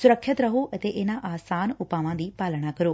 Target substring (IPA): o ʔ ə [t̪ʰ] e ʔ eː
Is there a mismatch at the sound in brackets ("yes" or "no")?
yes